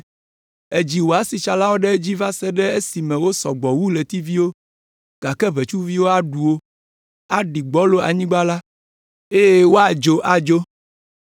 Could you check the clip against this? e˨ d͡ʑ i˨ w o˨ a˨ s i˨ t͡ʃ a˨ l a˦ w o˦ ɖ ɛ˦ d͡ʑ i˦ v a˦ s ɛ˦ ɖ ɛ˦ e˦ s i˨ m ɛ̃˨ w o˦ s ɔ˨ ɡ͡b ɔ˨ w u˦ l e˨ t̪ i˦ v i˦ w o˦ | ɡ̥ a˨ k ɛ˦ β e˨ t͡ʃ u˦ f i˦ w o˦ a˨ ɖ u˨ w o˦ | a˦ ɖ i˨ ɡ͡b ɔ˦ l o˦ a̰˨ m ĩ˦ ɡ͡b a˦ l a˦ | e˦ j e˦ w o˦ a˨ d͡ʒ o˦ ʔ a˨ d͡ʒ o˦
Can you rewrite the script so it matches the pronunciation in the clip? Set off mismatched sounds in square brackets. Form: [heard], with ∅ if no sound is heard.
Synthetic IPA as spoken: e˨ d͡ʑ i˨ w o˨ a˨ s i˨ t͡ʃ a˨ l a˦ w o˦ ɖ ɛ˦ d͡ʑ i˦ v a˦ s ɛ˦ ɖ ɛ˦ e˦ s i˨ m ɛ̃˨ w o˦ s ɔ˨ ɡ͡b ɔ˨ w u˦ l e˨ t̪ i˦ v i˦ w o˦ | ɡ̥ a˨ k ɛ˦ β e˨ t͡ʃ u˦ [v] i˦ w o˦ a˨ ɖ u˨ w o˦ | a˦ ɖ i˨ ɡ͡b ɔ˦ l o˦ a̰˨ [ɲ] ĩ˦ ɡ͡b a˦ l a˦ | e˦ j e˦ w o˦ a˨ d͡ʒ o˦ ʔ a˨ d͡ʒ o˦